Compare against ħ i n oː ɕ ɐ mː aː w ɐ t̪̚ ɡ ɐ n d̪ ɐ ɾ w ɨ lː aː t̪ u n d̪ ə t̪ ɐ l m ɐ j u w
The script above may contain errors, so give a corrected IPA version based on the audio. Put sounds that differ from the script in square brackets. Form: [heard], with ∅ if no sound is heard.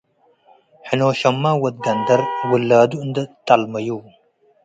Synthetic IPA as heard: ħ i n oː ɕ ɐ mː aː w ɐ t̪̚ ɡ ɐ n d̪ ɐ ɾ w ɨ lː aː [d̪] u n d̪ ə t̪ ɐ l m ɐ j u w